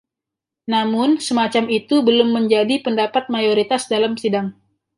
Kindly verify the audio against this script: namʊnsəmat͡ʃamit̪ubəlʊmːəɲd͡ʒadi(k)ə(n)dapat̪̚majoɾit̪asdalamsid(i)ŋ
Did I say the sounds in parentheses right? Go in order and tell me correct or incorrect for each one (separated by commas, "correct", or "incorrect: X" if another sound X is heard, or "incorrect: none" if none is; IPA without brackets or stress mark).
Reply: incorrect: p, correct, incorrect: a